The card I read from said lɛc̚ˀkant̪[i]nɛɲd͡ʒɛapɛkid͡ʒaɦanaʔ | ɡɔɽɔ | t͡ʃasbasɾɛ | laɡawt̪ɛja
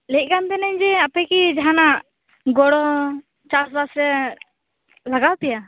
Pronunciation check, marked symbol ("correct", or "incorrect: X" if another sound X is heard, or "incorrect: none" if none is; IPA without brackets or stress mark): incorrect: ɛ